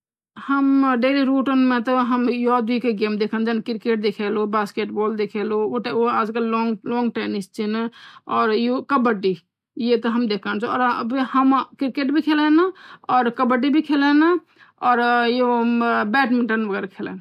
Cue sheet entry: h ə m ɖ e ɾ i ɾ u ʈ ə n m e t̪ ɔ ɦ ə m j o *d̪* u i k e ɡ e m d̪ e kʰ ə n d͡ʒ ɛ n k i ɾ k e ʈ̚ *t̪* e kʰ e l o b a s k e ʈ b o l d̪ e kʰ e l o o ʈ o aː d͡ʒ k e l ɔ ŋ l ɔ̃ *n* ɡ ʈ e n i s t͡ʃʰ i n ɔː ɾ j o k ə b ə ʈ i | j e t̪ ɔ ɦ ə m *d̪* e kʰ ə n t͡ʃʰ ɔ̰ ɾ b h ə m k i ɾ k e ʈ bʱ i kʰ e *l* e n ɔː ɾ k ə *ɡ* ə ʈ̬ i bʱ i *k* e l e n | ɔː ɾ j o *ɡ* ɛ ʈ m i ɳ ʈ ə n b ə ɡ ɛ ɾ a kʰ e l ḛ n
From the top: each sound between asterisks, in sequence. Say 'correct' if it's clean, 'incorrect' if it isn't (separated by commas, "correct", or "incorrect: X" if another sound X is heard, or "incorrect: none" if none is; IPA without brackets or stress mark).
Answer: correct, incorrect: d̪, incorrect: ŋ, correct, correct, incorrect: b, incorrect: kʰ, incorrect: b